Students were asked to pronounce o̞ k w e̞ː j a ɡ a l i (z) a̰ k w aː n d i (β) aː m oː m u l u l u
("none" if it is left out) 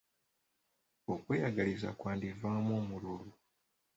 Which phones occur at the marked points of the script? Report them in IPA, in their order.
z, v

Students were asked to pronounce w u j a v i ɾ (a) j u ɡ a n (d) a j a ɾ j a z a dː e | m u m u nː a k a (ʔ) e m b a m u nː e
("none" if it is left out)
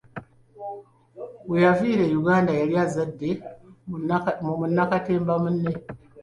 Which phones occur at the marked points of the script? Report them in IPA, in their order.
e, d, t

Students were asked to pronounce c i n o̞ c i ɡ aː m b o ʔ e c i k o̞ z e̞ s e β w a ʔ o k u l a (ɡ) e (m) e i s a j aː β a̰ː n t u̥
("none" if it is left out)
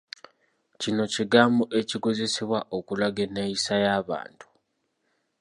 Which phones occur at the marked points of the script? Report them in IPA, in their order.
ɡ, n

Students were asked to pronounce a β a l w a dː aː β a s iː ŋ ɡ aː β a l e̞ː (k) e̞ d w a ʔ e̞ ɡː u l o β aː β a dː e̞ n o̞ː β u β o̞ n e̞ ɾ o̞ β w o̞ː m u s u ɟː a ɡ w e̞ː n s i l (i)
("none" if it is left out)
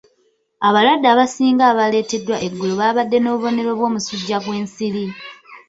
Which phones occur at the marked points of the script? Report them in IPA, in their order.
t, i

